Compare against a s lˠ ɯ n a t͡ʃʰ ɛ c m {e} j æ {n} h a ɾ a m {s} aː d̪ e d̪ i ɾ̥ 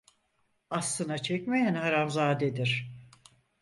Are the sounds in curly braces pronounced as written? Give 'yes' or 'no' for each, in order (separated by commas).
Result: yes, yes, no